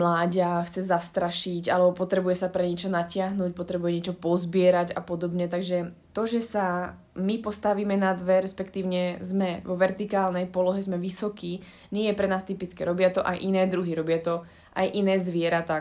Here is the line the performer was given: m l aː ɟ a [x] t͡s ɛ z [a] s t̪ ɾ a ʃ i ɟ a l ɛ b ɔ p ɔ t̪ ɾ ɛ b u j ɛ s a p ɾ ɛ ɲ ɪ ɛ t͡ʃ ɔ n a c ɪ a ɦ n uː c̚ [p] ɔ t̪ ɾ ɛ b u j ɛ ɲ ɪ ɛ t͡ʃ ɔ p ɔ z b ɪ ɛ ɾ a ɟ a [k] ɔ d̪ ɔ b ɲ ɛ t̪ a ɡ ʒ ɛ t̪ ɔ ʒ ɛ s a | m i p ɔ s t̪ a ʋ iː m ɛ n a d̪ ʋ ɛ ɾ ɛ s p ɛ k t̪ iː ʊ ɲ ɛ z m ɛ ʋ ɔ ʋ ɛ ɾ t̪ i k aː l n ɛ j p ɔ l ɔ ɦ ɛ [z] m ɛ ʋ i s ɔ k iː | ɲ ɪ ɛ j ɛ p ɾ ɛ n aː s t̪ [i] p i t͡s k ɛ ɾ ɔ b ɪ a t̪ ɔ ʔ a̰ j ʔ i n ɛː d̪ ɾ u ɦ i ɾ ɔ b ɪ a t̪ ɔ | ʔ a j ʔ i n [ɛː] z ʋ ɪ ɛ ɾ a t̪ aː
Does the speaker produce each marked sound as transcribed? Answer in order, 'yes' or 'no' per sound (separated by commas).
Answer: yes, yes, yes, no, yes, yes, yes